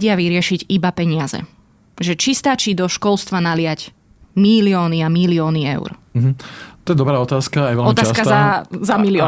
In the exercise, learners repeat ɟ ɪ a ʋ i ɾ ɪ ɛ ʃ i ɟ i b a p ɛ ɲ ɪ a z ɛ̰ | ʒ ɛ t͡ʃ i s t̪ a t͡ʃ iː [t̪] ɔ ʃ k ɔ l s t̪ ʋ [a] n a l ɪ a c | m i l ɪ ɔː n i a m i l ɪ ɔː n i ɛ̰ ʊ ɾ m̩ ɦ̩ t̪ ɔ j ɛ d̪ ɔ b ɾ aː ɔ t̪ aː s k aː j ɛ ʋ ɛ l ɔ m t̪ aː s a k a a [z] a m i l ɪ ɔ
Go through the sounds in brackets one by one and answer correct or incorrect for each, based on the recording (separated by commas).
incorrect, correct, correct